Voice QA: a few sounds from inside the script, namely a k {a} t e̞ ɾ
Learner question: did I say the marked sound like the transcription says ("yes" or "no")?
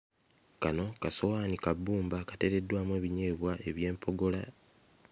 yes